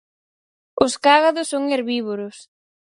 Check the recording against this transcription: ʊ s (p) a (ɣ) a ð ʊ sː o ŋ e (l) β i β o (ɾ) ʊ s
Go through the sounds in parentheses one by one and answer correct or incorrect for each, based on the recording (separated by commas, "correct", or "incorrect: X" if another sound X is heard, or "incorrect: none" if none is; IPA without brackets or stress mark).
incorrect: k, correct, incorrect: ɾ, correct